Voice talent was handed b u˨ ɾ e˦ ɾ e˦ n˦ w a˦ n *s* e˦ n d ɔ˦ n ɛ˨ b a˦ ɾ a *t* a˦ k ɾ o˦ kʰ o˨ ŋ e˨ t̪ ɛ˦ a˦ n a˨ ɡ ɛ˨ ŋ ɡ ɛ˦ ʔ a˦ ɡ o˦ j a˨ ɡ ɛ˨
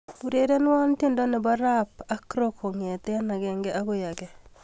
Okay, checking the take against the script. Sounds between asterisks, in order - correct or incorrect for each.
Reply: incorrect: t, incorrect: p

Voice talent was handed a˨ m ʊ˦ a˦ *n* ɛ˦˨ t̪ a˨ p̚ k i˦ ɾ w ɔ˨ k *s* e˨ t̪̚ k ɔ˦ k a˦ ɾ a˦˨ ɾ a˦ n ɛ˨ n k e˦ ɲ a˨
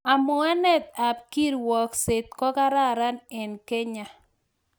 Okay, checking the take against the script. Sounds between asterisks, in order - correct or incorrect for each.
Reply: correct, correct

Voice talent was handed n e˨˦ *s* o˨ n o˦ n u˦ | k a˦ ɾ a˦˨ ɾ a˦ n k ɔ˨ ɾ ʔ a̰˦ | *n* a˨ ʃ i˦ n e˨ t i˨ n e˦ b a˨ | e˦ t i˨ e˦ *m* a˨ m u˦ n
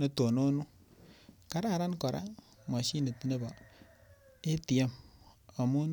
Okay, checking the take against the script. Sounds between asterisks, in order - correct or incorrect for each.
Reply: incorrect: t, incorrect: m, correct

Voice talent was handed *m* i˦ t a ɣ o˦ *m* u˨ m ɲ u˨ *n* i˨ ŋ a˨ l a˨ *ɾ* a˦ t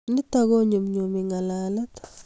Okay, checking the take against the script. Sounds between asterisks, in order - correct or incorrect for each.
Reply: incorrect: n, incorrect: ɲ, incorrect: m, incorrect: l

